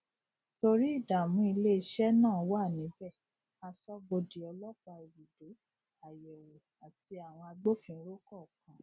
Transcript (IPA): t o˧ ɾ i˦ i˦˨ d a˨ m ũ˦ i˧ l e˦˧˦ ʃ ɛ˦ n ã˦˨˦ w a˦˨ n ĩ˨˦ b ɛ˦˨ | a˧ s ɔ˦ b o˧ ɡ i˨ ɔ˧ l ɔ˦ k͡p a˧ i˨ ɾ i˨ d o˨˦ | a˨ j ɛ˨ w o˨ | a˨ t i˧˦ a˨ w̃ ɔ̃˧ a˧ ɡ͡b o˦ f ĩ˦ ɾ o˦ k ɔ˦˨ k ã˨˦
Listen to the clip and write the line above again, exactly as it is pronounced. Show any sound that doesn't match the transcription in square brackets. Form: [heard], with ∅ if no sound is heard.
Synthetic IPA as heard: t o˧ ɾ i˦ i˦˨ d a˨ m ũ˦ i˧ l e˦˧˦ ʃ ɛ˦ n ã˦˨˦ w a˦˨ n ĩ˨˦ b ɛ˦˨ | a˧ s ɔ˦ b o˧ [d] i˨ ɔ˧ l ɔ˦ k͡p a˧ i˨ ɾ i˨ d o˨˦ | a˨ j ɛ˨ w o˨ | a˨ t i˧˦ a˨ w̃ ɔ̃˧ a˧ ɡ͡b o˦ f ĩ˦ ɾ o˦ k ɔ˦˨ k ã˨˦